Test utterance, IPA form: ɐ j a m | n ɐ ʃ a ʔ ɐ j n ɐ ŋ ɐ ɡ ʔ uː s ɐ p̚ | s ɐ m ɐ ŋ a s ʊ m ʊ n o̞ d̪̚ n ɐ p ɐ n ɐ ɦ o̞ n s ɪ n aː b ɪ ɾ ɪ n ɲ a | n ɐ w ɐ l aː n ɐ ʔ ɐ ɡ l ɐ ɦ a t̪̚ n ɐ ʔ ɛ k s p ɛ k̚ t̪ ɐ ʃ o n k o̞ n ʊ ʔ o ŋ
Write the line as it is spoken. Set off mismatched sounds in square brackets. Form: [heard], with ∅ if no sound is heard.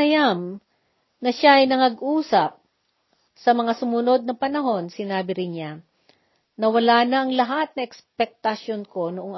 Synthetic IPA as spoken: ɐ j a m | n ɐ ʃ a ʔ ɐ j n ɐ ŋ ɐ ɡ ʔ uː s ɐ p̚ | s ɐ m ɐ ŋ a s ʊ m ʊ n o̞ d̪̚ n ɐ p ɐ n ɐ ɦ o̞ n s ɪ n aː b ɪ ɾ ɪ n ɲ a | n ɐ w ɐ l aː n ɐ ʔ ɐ [ŋ] l ɐ ɦ a t̪̚ n ɐ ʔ ɛ k s p ɛ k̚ t̪ ɐ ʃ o n k o̞ n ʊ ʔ o ŋ